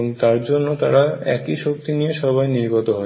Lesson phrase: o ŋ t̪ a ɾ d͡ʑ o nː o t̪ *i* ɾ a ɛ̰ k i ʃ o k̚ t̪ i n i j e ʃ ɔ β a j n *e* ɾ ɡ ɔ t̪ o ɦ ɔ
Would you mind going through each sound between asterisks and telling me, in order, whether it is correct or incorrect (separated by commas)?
incorrect, incorrect